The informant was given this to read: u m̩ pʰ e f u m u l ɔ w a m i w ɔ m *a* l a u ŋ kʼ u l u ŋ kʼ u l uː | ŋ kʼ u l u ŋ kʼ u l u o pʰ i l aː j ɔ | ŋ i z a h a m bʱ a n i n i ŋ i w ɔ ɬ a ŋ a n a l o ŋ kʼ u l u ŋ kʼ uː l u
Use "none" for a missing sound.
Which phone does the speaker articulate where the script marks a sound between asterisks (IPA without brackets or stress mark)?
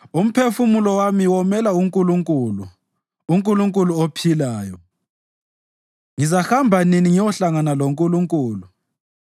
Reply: ɛ